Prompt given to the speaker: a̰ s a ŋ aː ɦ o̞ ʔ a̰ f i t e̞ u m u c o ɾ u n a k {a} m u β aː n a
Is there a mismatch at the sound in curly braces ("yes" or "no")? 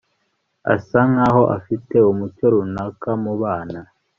no